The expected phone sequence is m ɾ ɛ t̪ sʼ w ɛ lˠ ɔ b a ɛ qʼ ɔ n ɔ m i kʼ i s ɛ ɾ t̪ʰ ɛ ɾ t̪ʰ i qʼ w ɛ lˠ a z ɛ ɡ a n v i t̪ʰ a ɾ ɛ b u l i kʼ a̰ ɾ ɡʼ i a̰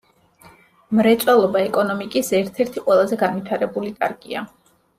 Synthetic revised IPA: m ɾ ɛ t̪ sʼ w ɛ lˠ ɔ b a ɛ kʼ ɔ n ɔ m i kʼ i s ɛ ɾ t̪ʰ ɛ ɾ t̪ʰ i qʼ w ɛ lˠ a z ɛ ɡ a n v i t̪ʰ a ɾ ɛ b u l i kʼ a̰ ɾ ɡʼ i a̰

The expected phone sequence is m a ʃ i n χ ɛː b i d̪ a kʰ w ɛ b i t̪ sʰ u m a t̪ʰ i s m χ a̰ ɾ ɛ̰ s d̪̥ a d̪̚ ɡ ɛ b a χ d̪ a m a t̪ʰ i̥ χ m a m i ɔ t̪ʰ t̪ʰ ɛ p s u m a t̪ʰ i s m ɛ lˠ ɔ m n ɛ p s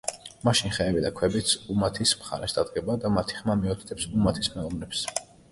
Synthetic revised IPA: m a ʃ i n χ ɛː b i d̪ a kʰ w ɛ b i t̪ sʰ u m a t̪ʰ i s m χ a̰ ɾ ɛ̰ s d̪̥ a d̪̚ ɡ ɛ b a d̪ a m a t̪ʰ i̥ χ m a m i ɔ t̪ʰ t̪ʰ ɛ p s u m a t̪ʰ i s m ɛ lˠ ɔ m n ɛ p s

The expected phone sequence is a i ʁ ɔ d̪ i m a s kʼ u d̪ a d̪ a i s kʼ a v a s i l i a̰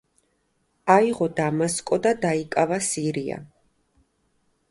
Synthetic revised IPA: a i ʁ ɔ d̪ a m a s kʼ ɔ d̪ a d̪ a i kʼ a v a s i ɾ i a̰

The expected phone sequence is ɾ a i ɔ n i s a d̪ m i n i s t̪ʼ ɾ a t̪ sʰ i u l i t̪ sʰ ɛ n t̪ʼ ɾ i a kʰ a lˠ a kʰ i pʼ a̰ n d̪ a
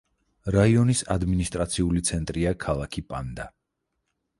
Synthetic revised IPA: ɾ a i ɔ n i s a d̪ m i n i s t̪ʼ ɾ a t̪ sʰ i u l i t̪ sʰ ɛ n t̪ʼ ɾ i a kʰ a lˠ a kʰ i pʼ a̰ n d̪ a

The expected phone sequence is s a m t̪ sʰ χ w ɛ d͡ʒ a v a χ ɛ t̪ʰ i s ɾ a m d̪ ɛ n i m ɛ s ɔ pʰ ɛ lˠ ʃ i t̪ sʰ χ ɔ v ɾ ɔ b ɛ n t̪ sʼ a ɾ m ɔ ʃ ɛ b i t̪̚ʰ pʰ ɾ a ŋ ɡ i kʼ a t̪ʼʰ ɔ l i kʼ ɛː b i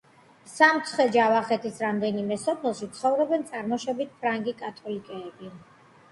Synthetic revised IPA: s a m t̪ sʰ χ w ɛ d͡ʒ a v a χ ɛ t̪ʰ i s ɾ a m d̪ ɛ n i m ɛ s ɔ pʰ ɛ lˠ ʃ i t̪ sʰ χ ɔ v ɾ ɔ b ɛ n t̪ sʼ a ɾ m ɔ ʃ ɛ b i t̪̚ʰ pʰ ɾ a ŋ ɡ i kʼ a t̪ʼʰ ɔ l i kʼ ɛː b i

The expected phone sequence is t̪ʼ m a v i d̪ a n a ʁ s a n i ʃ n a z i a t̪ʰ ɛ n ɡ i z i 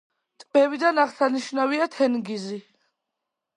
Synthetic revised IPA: t̪ʼ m ɛ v i d̪ a n a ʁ s a n i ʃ n a v i a t̪ʰ ɛ n ɡ i z i

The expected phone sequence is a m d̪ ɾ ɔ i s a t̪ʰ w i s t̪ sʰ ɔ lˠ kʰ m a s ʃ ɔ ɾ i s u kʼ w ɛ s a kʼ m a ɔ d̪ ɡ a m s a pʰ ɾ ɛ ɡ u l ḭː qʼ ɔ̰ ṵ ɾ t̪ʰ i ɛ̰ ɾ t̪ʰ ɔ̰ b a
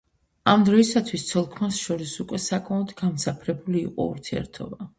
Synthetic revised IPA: a m d̪ ɾ ɔ i s a t̪ʰ w i s t̪ sʰ ɔ lˠ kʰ m a s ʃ ɔ ɾ i s u kʼ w ɛ s a kʼ m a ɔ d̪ ɡ a m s a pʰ ɾ ɛ b u l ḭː qʼ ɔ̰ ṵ ɾ t̪ʰ i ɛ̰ ɾ t̪ʰ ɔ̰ b a

